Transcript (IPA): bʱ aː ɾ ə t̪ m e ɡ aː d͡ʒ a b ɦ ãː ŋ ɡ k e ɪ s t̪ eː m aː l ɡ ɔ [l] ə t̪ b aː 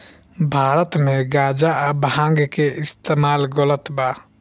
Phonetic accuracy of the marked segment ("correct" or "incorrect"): correct